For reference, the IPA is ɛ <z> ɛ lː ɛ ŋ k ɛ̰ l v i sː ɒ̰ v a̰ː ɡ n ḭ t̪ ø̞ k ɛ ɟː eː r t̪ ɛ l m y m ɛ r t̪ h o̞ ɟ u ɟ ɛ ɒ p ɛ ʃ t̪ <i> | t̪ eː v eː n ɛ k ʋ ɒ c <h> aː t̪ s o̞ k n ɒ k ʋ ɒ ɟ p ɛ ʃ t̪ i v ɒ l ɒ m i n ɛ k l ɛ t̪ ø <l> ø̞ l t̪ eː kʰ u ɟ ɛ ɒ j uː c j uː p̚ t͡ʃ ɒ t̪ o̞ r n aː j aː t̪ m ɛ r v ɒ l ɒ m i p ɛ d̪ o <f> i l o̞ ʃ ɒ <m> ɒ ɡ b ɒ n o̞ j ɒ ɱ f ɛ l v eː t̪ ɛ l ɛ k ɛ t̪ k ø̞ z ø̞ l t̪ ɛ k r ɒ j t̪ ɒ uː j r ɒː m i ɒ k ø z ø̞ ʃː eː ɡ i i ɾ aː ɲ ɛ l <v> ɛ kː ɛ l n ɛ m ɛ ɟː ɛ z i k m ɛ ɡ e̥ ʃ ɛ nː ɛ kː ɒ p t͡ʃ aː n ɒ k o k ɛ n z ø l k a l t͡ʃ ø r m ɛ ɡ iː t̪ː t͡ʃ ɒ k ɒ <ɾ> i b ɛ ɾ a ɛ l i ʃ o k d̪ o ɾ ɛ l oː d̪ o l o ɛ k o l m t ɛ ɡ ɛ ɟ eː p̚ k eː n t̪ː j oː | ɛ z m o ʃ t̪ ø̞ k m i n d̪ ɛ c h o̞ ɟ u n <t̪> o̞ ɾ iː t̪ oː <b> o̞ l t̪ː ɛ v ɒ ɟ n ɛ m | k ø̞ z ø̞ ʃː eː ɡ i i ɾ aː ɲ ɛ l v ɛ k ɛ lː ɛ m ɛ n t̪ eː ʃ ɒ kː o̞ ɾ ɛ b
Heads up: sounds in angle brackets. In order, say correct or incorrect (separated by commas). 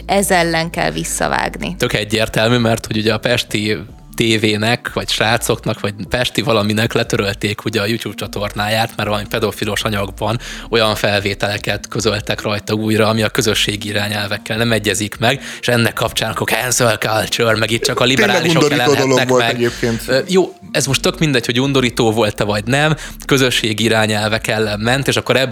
correct, correct, incorrect, incorrect, correct, incorrect, correct, incorrect, incorrect, incorrect